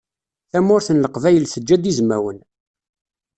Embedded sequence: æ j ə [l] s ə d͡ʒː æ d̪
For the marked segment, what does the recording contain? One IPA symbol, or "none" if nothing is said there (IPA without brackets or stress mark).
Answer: l